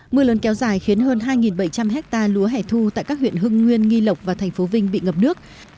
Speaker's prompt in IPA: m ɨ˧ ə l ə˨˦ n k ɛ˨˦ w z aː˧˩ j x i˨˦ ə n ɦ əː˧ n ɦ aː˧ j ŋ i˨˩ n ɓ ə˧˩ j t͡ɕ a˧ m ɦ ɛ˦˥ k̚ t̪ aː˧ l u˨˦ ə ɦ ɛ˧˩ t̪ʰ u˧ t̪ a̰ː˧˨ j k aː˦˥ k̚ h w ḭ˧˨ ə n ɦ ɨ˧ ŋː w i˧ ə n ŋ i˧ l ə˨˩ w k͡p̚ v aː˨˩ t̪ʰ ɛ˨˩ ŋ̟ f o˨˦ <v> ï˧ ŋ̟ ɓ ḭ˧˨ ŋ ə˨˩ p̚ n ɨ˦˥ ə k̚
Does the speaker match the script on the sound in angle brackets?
yes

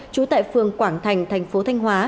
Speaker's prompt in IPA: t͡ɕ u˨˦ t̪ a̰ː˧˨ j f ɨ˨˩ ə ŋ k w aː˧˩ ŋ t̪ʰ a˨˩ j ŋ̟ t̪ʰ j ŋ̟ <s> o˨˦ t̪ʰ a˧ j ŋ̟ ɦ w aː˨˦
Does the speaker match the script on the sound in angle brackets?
no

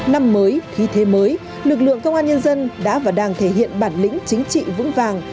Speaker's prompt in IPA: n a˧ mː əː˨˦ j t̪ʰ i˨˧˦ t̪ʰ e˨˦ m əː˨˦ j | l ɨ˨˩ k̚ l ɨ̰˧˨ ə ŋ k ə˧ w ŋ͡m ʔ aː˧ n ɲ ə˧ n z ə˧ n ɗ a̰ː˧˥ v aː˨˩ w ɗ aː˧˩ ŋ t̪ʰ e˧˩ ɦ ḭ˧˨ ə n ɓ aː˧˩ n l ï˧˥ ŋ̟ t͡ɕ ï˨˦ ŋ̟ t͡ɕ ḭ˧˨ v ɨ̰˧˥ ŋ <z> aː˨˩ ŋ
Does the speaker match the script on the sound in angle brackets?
no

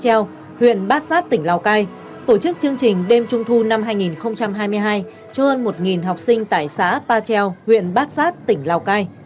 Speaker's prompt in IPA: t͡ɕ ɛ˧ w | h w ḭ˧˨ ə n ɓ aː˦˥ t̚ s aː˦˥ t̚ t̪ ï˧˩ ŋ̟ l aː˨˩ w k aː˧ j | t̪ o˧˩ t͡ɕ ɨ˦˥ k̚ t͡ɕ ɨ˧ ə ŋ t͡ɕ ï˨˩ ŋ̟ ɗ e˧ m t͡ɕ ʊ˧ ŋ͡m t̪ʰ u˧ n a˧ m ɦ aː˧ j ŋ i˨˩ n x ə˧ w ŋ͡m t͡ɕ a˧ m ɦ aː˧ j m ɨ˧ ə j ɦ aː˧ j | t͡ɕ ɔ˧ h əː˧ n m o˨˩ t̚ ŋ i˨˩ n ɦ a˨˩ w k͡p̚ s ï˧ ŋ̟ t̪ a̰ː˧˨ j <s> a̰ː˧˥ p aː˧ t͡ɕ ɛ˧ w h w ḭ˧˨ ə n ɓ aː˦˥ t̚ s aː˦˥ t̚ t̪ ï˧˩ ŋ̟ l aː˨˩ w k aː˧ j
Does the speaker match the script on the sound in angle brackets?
yes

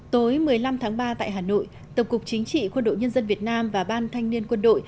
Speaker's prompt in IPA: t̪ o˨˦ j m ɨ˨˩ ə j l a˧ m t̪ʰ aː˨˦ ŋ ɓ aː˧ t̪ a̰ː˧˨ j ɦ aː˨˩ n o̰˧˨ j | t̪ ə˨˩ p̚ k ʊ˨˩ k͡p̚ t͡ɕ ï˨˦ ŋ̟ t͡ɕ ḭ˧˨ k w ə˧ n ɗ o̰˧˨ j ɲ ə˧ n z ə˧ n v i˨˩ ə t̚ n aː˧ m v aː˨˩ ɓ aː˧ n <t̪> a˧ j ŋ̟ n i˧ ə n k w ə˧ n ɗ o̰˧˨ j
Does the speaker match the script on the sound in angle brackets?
no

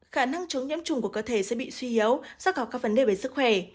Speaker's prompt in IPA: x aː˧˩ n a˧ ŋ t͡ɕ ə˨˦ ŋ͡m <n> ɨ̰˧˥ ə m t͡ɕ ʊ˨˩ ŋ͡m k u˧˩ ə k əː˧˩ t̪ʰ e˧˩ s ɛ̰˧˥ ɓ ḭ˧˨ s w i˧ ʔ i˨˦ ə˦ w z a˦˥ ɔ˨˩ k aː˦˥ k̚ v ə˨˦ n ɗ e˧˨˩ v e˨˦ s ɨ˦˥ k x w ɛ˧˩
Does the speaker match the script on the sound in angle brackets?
no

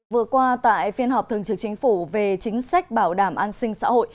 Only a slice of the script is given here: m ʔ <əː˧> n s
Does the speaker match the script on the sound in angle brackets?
no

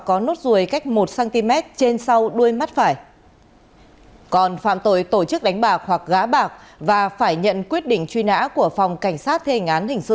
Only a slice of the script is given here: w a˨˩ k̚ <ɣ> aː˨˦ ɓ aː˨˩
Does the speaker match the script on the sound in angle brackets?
yes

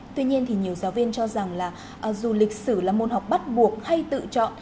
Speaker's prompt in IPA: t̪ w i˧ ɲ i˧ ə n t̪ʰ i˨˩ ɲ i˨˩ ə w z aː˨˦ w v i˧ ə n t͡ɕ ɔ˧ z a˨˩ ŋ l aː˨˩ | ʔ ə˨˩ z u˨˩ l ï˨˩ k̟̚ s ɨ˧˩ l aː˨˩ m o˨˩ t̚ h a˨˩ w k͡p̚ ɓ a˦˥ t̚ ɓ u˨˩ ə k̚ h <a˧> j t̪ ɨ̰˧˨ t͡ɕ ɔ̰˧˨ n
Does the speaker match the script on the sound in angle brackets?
yes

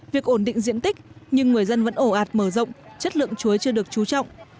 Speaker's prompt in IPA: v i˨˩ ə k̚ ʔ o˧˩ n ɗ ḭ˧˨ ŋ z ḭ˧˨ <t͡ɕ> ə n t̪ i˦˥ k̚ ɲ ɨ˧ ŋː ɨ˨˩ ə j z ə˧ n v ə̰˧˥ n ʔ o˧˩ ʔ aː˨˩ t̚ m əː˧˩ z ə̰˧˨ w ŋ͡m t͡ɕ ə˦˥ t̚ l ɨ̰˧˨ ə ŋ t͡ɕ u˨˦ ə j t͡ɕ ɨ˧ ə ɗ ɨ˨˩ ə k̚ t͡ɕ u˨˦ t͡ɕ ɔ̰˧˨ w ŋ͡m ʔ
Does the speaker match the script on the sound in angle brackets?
no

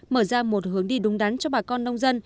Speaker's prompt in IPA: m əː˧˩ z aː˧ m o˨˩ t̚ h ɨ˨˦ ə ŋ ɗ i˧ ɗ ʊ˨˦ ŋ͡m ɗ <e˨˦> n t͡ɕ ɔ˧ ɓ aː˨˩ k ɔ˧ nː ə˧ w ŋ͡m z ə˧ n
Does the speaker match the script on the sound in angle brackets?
no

